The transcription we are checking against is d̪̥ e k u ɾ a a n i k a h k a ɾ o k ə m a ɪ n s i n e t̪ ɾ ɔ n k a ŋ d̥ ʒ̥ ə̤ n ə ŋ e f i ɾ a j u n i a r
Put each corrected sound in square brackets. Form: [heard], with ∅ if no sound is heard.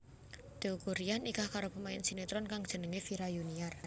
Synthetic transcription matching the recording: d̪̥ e k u ɾ [i] a n i k a h k a ɾ o [p] ə m a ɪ n s i n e t̪ ɾ ɔ n k a ŋ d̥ ʒ̥ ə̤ n ə ŋ e f i ɾ a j u n i a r